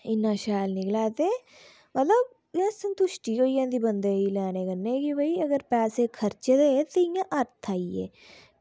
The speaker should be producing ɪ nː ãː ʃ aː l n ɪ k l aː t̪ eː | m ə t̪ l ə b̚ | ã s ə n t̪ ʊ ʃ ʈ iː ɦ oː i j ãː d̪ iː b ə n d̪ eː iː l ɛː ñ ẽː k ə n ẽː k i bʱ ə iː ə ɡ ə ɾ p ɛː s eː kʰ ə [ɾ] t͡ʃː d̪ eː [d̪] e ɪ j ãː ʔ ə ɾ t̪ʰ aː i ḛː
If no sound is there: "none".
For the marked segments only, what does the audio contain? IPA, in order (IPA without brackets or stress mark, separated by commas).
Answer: ɾ, t̪